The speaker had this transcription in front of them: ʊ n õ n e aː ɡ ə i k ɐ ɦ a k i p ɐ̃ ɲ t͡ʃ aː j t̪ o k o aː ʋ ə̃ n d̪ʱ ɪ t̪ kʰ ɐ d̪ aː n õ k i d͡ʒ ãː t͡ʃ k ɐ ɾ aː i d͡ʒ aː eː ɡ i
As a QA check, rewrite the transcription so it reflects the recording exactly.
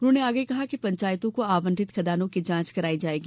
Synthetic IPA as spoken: ʊ n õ n e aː ɡ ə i k ɐ ɦ a k i p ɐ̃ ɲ t͡ʃ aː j t̪ õ k o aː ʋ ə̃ n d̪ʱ ɪ t̪ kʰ ɐ d̪ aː n õ k i d͡ʒ ãː t͡ʃ k ɐ ɾ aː i d͡ʒ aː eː ɡ i